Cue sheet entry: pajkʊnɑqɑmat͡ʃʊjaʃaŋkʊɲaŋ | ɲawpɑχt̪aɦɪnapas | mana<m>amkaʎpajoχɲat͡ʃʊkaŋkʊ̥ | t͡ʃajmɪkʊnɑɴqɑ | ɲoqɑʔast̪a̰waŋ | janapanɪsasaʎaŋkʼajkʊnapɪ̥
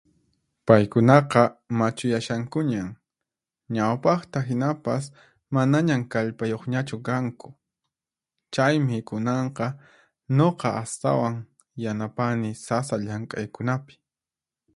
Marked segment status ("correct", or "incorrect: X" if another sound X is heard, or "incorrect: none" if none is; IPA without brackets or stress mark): incorrect: ɲ